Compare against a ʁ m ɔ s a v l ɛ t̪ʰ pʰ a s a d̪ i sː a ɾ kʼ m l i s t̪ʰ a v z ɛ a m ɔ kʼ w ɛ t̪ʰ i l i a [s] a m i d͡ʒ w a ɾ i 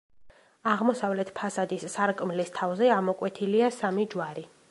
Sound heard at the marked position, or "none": s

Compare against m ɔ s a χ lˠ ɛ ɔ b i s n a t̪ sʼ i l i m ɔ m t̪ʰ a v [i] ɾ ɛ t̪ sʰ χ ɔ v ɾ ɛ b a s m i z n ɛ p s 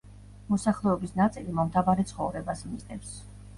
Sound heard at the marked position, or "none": a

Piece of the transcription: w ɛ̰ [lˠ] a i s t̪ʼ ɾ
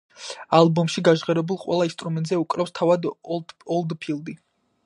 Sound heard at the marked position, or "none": lˠ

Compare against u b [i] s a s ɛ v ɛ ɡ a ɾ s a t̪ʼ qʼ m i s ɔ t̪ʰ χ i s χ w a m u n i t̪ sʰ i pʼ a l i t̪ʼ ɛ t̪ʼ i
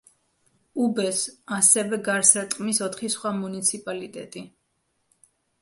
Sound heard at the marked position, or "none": ɛ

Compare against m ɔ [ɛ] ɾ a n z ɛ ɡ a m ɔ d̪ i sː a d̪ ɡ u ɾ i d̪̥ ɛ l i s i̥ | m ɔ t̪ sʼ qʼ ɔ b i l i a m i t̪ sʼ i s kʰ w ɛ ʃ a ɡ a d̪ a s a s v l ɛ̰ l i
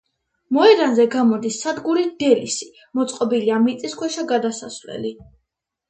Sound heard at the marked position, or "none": ɛ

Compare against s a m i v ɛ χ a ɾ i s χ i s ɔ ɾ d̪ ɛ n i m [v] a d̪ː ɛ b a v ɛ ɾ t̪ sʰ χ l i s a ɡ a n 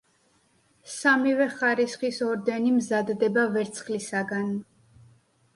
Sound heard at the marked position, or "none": z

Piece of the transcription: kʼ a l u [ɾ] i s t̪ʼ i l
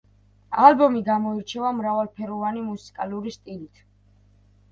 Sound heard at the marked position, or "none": ɾ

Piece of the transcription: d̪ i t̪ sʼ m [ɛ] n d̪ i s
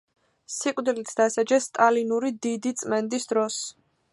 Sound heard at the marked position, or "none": ɛ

